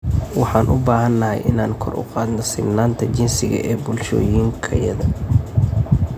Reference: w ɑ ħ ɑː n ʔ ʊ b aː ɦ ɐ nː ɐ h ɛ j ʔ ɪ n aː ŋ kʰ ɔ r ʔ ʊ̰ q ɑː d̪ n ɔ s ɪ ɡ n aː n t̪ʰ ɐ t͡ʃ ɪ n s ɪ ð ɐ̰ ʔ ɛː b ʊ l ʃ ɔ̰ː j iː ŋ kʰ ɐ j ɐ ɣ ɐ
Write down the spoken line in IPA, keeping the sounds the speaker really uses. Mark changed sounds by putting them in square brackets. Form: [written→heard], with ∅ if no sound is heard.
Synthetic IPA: w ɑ ħ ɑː n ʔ ʊ b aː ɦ ɐ nː ɐ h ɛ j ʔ ɪ n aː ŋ kʰ ɔ r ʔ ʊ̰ q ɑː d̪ n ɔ s ɪ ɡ n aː n t̪ʰ ɐ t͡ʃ ɪ n s ɪ [ð→ɣ] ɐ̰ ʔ ɛː b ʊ l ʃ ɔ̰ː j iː ŋ kʰ ɐ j ɐ [ɣ→ð] ɐ